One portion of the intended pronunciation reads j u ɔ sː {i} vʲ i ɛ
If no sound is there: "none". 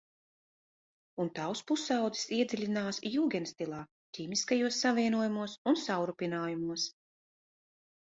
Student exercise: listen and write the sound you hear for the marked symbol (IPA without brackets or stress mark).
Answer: a